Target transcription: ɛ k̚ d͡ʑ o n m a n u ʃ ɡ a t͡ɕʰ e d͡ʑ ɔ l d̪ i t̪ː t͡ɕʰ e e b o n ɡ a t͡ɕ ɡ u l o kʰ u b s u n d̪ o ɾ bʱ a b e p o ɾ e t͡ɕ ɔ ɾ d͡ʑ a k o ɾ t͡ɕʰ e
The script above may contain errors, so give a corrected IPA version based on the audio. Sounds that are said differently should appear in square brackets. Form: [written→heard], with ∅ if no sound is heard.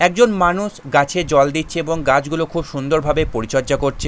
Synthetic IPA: ɛ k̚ d͡ʑ o n m a n u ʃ ɡ a t͡ɕʰ e d͡ʑ ɔ l d̪ i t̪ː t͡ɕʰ e e b o [n→ŋ] ɡ a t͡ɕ ɡ u l o kʰ u b [s→ʃ] u n d̪ o ɾ bʱ a b e p o ɾ [e→i] t͡ɕ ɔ ɾ d͡ʑ a k o ɾ t͡ɕʰ e